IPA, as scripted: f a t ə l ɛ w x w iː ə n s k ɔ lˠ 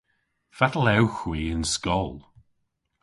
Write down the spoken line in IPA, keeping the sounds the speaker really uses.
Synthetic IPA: f a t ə l ɛ w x w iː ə n s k ɔ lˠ